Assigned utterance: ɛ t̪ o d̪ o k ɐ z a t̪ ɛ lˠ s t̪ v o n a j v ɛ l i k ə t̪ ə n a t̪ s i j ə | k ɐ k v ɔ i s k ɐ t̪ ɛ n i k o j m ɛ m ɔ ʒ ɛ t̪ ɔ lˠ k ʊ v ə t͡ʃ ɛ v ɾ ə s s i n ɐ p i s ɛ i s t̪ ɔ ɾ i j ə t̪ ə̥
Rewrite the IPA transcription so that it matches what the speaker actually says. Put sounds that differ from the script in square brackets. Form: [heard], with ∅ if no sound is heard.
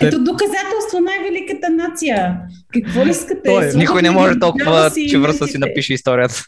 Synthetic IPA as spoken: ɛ t̪ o d̪ o k ɐ z a t̪ ɛ lˠ s t̪ v o n a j v ɛ l i k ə t̪ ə n a t̪ s i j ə | k ɐ k v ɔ i s k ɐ t̪ ɛ n i k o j [n] ɛ m ɔ ʒ ɛ t̪ ɔ lˠ k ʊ v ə t͡ʃ ɛ v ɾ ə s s i n ɐ p i [ʃ] ɛ i s t̪ ɔ ɾ i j ə t̪ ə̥